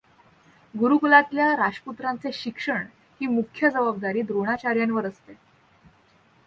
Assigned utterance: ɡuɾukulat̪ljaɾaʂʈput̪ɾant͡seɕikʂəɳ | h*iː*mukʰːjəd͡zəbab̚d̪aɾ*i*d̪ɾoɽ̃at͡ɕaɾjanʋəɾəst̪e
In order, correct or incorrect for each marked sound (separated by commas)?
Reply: correct, incorrect